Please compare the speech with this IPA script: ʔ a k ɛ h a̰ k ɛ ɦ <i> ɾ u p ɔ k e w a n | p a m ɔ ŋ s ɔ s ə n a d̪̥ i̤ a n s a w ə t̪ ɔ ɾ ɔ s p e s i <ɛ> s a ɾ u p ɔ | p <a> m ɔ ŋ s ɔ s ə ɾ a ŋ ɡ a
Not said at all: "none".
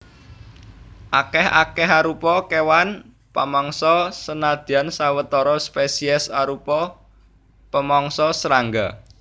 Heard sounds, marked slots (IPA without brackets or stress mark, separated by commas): a, ɛ, ə